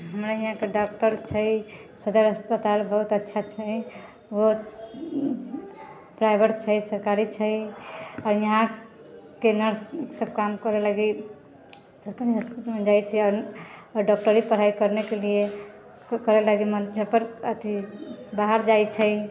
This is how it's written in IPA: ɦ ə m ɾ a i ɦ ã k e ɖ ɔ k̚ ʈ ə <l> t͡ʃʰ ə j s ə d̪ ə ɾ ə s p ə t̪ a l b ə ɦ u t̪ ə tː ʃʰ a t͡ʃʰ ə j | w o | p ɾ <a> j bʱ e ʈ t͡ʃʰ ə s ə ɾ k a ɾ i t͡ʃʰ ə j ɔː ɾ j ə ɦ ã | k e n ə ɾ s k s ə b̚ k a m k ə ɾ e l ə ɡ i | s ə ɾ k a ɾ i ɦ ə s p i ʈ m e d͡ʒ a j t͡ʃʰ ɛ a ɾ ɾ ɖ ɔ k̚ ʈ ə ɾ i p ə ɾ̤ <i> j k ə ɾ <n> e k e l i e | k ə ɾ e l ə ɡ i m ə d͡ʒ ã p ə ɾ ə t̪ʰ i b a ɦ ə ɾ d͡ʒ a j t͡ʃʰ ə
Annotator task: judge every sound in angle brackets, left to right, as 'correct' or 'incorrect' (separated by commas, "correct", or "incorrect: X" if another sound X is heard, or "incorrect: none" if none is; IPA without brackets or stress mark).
incorrect: ɾ, correct, incorrect: a, correct